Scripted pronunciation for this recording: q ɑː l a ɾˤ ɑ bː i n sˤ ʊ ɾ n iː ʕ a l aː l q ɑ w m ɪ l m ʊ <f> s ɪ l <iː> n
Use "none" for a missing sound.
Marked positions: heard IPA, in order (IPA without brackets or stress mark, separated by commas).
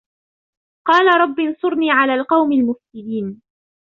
f, iː